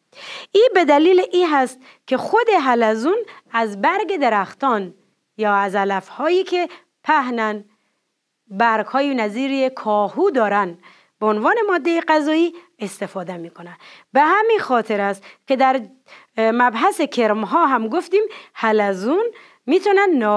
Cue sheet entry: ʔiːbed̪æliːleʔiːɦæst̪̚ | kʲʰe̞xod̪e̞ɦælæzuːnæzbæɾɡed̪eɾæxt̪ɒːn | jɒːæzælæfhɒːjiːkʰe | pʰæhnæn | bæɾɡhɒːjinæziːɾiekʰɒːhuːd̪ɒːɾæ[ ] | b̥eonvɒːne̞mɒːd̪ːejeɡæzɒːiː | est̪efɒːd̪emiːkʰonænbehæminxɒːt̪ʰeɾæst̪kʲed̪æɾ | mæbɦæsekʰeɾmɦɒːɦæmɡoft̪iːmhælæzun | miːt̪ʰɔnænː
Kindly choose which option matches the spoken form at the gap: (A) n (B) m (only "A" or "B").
A